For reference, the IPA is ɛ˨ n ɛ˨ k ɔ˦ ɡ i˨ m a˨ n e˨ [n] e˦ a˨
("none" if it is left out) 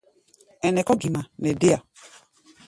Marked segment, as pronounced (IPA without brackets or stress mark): d